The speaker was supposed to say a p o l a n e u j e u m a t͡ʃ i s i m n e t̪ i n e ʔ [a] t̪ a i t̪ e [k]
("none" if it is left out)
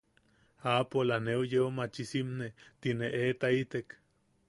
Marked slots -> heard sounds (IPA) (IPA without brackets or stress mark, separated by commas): e, k